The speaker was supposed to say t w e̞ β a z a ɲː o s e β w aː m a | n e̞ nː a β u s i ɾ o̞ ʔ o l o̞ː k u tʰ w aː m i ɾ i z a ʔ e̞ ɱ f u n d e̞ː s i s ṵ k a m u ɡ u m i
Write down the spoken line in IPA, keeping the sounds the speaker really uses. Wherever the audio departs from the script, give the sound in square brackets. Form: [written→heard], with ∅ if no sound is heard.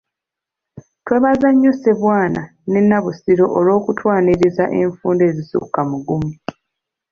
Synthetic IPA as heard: t w e̞ β a z a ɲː o s e β w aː [m→n] a | n e̞ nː a β u s i ɾ o̞ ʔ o l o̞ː k u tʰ w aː [m→n] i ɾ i z a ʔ e̞ ɱ f [u→uː] n d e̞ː [s→z] i s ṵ k a m u ɡ u m i

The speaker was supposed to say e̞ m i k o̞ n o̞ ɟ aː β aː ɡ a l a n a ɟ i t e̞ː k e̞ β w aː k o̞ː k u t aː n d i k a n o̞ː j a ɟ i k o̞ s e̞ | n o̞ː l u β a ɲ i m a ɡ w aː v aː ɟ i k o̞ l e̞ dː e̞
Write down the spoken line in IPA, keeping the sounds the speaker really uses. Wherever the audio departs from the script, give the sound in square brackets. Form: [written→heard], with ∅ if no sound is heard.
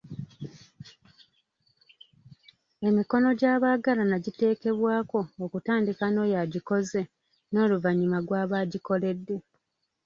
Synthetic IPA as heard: e̞ m i k o̞ n o̞ ɟ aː β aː ɡ a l a n a ɟ i t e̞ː k e̞ β w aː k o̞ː k u t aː n d i k a n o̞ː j a ɟ i k o̞ [s→z] e̞ | n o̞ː l u [β→v] a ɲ i m a ɡ w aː [v→β] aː ɟ i k o̞ l e̞ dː e̞

